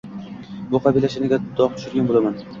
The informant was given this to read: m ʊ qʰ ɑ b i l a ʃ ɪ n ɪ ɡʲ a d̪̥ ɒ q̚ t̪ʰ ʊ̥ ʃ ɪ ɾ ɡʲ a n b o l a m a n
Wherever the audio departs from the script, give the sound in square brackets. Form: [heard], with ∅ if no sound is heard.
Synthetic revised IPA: [b] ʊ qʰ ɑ b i l a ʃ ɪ n ɪ ɡʲ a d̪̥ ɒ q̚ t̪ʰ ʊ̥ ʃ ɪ ɾ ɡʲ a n b o l a m a n